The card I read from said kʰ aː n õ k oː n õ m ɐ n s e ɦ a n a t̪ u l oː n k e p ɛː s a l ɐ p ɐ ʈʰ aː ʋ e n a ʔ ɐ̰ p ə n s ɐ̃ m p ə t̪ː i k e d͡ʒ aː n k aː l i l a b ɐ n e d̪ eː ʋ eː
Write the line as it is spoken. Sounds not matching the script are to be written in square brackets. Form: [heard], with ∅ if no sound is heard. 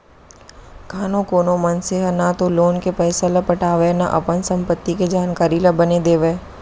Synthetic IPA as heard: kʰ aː n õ k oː n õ m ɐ n s e ɦ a n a t̪ [o] l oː n k e p ɛː s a l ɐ p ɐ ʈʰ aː ʋ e n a ʔ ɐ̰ p ə n s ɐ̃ m p ə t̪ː i k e d͡ʒ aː n k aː [ɾ] i l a b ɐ n e d̪ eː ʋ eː